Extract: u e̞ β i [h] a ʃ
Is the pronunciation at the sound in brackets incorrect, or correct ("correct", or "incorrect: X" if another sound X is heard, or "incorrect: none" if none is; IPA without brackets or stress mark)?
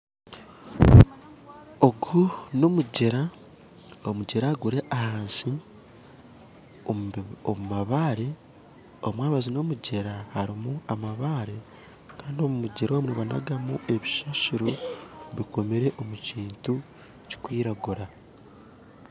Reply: incorrect: ʃ